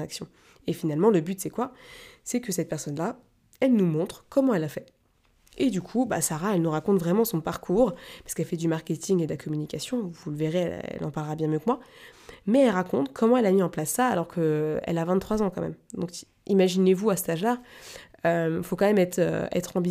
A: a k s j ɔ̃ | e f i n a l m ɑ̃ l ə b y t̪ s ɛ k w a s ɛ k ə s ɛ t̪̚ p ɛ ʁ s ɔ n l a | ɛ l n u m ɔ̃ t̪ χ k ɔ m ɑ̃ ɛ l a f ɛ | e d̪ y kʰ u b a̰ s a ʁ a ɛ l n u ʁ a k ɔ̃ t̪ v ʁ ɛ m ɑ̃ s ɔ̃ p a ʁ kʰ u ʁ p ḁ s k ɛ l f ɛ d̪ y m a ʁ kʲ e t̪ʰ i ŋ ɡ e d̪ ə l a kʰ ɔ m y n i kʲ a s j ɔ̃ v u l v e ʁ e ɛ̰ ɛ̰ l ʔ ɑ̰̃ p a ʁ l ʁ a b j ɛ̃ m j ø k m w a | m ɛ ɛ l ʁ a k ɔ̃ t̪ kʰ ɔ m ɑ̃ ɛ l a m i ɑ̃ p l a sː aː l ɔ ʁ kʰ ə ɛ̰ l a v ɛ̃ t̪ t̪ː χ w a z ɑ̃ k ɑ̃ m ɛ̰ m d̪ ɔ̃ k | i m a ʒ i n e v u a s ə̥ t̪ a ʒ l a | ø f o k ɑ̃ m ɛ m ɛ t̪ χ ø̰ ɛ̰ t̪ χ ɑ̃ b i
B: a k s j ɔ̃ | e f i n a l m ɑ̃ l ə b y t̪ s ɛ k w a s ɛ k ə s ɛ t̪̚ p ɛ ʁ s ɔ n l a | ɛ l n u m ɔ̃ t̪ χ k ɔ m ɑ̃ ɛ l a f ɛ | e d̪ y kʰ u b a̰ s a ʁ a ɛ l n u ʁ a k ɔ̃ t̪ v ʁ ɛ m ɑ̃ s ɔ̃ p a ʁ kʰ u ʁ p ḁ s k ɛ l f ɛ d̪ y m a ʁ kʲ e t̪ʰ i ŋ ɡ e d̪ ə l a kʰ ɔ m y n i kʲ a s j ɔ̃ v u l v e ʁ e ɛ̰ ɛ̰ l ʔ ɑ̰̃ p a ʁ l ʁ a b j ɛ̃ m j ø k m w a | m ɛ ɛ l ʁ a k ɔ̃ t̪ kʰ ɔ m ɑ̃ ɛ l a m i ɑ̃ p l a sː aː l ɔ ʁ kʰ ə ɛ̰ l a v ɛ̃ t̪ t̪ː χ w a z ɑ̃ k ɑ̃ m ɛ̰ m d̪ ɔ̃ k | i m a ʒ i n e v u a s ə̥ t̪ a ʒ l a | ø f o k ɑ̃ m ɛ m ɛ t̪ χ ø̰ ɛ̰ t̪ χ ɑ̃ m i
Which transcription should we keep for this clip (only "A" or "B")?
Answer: A